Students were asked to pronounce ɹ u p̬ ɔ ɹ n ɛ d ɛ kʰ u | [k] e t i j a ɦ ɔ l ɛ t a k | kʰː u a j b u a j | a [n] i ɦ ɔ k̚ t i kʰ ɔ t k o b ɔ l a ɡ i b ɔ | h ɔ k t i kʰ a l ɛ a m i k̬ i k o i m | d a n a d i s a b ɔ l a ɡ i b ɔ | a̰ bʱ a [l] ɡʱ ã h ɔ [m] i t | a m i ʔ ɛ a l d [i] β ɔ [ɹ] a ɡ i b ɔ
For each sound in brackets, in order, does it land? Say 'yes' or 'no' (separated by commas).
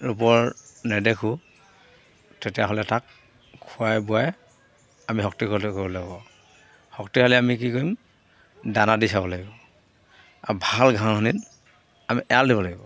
no, no, yes, no, yes, no